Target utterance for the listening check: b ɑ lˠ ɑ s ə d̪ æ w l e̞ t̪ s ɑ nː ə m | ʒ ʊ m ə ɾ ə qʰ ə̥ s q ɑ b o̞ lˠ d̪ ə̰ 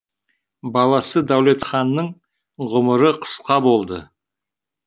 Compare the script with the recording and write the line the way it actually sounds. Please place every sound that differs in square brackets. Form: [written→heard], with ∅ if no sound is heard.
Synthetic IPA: b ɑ lˠ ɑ s ə d̪ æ w l e̞ t̪ [s→χ] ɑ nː ə [m→ɴ] | [ʒ→ʁ] ʊ m ə ɾ ə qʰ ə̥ s q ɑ b o̞ lˠ d̪ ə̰